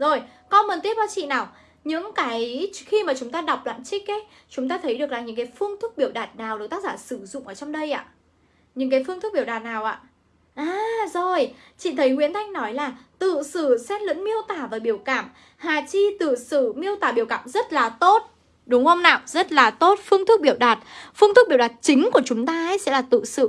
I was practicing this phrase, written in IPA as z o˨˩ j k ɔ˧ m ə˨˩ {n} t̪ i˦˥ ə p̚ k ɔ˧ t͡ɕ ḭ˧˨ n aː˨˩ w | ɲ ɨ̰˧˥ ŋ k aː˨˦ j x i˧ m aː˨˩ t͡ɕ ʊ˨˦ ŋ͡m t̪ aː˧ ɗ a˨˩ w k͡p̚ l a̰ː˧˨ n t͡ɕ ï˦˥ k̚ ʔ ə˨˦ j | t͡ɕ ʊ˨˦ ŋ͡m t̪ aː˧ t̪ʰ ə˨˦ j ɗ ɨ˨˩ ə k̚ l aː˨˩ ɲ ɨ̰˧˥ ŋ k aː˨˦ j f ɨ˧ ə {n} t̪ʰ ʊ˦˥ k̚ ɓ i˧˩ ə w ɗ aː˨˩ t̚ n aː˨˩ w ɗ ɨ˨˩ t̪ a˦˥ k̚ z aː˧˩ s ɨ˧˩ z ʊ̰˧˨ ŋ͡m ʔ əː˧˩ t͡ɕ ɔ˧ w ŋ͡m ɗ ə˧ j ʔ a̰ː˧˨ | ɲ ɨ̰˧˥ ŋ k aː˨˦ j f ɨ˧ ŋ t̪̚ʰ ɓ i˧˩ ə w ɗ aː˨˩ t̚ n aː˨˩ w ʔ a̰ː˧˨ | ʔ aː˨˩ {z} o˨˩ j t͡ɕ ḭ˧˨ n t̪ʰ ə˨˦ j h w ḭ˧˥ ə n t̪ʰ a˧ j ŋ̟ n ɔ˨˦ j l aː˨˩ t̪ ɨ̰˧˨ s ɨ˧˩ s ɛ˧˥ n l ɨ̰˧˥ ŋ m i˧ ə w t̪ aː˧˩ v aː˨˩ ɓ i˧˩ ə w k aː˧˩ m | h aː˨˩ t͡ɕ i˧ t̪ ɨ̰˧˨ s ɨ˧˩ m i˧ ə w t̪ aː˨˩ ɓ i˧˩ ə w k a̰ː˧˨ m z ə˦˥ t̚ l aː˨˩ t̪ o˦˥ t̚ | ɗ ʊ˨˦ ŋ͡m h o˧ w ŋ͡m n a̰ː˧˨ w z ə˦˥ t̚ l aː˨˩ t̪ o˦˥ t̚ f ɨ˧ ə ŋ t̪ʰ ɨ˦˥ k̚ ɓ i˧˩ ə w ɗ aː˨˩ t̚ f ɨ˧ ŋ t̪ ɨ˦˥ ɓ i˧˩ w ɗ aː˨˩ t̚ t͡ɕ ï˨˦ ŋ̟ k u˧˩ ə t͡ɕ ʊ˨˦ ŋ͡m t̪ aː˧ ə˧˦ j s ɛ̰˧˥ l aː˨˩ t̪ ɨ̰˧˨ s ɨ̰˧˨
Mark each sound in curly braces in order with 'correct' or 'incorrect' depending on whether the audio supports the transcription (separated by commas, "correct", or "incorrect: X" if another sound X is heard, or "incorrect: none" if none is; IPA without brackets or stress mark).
correct, incorrect: ŋ, correct